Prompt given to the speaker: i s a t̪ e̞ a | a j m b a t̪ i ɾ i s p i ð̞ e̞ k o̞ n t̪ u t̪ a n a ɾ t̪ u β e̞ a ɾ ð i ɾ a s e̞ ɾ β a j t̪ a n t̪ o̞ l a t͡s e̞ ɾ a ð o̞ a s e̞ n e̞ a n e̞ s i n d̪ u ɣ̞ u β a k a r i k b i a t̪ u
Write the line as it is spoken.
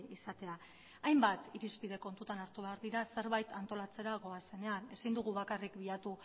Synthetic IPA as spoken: i s a t̪ e̞ a | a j m b a t̪ i ɾ i s p i ð̞ e̞ k o̞ n t̪ u t̪ a n a ɾ t̪ u β e̞ a ɾ ð i ɾ a s e̞ ɾ β a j t̪ a n t̪ o̞ l a t͡s e̞ ɾ a ɣ o̞ a s e̞ n e̞ a n e̞ s i n d̪ u ɣ̞ u β a k a r i k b i a t̪ u